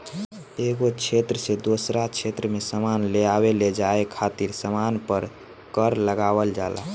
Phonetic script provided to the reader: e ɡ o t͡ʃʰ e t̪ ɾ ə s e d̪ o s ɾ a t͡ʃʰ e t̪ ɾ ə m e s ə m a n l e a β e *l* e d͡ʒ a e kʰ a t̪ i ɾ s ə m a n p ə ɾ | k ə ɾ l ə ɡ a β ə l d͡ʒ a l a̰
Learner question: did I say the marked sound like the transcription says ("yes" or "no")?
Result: yes